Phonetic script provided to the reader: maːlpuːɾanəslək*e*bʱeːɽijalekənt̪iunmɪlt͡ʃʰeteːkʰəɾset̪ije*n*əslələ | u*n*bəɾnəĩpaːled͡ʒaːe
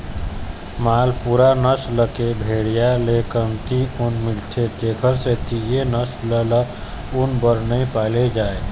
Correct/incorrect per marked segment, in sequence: correct, correct, correct

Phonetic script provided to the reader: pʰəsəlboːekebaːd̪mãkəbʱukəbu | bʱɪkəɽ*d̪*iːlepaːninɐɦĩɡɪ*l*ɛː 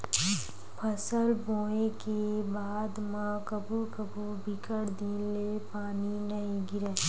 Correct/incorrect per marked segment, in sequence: correct, incorrect

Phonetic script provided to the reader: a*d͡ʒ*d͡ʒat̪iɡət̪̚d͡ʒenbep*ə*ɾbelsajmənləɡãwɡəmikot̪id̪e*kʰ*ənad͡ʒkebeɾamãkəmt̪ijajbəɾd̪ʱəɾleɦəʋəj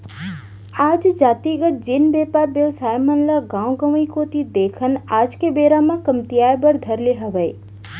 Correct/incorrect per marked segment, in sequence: correct, incorrect, correct

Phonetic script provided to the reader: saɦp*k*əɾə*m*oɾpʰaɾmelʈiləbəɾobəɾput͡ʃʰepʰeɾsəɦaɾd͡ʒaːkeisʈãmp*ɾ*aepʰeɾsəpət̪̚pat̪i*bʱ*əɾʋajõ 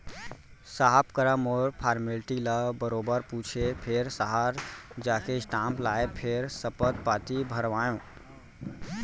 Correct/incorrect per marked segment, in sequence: correct, correct, incorrect, correct

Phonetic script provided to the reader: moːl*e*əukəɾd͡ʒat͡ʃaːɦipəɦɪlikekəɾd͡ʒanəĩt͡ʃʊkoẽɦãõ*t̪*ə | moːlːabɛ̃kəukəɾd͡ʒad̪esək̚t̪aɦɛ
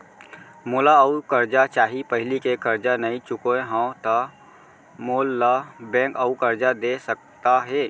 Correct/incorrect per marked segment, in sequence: incorrect, correct

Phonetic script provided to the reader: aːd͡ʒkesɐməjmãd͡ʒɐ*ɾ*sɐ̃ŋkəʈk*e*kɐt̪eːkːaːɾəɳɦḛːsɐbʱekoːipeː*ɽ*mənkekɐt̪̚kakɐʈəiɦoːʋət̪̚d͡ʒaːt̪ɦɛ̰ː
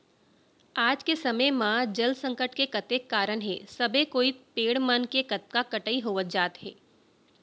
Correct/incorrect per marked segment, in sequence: incorrect, correct, correct

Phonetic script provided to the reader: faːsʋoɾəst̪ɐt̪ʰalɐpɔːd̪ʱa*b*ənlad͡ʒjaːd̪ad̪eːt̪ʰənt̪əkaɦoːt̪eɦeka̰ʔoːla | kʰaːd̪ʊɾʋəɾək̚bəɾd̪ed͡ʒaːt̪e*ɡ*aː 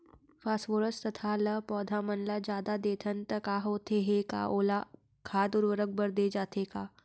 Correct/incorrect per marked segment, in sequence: incorrect, incorrect

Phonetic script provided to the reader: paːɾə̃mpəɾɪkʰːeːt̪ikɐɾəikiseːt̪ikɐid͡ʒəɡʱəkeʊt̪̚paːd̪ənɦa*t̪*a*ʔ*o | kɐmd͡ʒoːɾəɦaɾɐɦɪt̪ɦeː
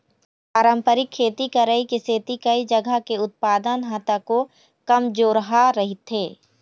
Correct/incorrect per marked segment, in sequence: correct, incorrect

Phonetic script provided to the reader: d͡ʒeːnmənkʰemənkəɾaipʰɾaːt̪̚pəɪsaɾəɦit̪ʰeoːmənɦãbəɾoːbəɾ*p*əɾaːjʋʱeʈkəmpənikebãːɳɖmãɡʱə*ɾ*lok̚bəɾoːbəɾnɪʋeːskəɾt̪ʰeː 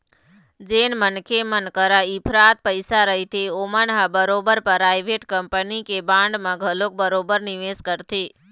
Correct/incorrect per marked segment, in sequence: correct, incorrect

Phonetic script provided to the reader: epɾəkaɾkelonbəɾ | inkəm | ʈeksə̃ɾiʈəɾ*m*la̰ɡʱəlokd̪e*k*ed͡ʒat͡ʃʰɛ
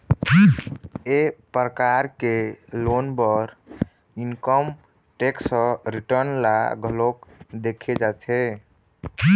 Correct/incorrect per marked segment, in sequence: incorrect, incorrect

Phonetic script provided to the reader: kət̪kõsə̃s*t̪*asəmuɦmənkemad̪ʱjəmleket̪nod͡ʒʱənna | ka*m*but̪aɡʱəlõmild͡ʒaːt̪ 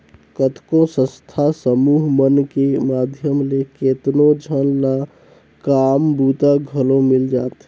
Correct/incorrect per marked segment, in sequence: incorrect, correct

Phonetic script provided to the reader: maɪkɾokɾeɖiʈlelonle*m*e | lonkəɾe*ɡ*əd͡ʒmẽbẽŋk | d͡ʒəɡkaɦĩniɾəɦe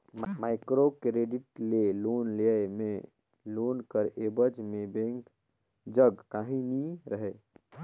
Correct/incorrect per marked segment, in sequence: correct, incorrect

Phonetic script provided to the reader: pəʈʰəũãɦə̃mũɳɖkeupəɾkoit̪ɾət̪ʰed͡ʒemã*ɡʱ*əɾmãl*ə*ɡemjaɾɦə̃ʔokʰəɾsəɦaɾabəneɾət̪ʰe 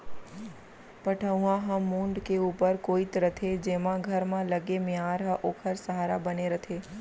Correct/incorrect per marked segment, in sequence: correct, correct

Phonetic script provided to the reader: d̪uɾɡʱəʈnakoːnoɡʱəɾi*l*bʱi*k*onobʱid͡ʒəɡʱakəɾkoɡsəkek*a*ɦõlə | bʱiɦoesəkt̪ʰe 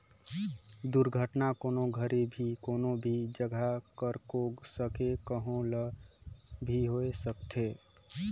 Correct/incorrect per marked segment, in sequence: incorrect, correct, incorrect

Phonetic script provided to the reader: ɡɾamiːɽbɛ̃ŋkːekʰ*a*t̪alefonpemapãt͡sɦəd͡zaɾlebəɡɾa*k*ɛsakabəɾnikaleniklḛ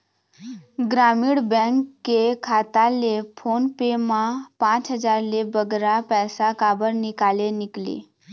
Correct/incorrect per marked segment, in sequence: correct, incorrect

